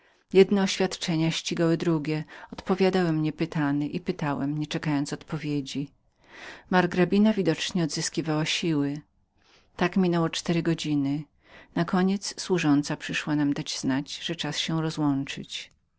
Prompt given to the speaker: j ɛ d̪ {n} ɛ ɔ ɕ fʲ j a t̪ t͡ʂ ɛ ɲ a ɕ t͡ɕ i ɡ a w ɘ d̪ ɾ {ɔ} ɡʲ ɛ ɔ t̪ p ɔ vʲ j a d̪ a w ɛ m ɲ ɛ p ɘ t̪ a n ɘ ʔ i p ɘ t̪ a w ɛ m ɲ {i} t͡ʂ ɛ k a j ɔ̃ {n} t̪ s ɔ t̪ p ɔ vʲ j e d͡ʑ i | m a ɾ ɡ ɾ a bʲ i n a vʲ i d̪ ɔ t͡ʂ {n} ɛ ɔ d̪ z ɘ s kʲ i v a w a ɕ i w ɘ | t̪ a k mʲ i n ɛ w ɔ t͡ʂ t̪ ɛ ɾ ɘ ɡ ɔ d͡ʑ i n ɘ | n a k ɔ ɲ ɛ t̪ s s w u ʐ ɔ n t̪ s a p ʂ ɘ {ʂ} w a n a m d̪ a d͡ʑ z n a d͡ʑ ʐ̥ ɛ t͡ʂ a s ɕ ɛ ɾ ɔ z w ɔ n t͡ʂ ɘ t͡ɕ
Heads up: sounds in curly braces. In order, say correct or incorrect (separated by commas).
correct, incorrect, incorrect, correct, incorrect, correct